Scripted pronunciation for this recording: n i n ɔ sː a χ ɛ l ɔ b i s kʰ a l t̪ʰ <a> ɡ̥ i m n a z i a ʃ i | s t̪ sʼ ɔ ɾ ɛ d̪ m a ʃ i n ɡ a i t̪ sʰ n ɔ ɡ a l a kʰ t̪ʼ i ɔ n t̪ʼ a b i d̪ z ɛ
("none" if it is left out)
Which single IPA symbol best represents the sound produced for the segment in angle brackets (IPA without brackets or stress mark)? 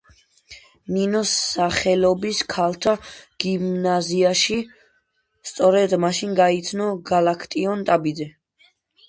a